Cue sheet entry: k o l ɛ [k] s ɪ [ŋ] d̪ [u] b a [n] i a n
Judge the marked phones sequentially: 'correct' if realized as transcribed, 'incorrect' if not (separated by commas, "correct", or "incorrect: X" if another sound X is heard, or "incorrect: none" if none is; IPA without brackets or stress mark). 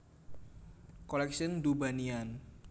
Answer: correct, incorrect: n, correct, correct